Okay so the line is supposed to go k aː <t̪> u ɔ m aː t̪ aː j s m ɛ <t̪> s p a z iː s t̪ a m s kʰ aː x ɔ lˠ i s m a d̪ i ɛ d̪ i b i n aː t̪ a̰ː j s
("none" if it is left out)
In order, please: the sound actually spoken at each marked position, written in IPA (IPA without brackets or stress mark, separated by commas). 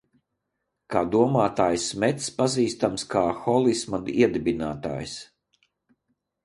d̪, t̪